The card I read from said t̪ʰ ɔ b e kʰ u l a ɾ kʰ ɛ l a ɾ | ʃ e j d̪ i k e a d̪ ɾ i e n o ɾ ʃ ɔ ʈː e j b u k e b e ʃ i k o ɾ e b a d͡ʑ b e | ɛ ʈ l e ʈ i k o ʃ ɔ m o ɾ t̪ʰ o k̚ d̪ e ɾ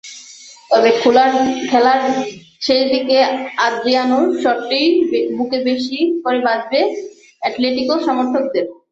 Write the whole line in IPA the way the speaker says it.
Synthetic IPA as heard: t̪ ɔ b e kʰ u l a ɾ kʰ ɛ l a ɾ | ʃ e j d̪ i k e a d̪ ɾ i a n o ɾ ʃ ɔ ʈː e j b u k e b e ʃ i k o ɾ e b a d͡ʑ b e | ɛ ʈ l e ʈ i k o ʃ ɔ m o ɾ t̪ʰ o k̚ d̪ e ɾ